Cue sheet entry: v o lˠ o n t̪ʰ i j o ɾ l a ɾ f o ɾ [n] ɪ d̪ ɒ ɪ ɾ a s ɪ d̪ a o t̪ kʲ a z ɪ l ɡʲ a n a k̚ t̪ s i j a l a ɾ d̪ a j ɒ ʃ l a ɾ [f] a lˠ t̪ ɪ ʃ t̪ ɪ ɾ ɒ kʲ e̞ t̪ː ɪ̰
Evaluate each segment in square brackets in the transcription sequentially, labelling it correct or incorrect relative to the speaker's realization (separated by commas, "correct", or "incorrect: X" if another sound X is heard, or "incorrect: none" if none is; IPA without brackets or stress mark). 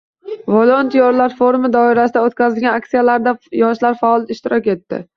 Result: incorrect: m, correct